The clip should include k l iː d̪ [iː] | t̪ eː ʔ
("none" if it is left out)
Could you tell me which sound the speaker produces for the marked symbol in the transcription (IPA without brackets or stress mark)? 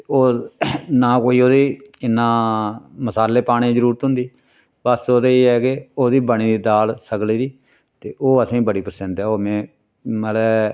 iː